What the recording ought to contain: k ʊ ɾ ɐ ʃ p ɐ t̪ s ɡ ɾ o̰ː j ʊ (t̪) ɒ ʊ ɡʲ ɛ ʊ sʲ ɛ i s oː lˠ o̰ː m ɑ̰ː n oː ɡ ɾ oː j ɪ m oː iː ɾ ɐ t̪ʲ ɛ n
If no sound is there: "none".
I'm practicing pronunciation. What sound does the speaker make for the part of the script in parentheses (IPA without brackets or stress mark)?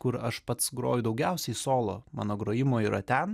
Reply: d̪